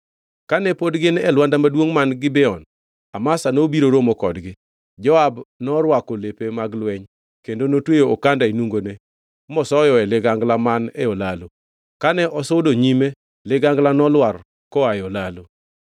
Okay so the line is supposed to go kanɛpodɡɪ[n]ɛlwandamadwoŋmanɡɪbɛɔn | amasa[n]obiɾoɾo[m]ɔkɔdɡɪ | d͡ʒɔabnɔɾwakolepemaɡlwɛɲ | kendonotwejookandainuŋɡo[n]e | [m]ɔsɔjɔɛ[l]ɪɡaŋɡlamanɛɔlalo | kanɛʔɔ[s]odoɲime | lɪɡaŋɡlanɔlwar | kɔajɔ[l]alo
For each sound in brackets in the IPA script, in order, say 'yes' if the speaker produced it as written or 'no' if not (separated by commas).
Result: yes, yes, yes, yes, yes, yes, yes, yes